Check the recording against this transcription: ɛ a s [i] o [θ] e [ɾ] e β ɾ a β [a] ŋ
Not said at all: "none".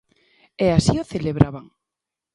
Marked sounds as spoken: i, θ, l, a

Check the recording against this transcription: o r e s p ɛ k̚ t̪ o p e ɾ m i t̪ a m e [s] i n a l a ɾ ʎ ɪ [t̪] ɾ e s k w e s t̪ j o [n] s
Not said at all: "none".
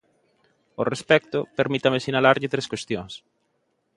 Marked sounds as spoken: s, t̪, ŋ

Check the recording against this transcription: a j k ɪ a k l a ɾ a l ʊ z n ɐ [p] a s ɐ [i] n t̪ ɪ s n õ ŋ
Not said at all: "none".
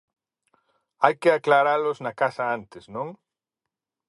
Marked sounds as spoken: k, a

